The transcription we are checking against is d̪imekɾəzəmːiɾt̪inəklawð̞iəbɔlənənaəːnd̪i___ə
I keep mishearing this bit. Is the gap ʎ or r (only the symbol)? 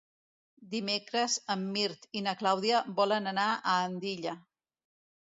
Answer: ʎ